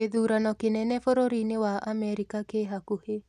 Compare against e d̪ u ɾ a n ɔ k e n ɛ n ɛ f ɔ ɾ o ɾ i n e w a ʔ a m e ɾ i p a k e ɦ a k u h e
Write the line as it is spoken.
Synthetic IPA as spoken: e d̪ u ɾ a n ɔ k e n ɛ n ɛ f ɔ ɾ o ɾ i n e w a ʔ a m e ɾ i k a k e ɦ a k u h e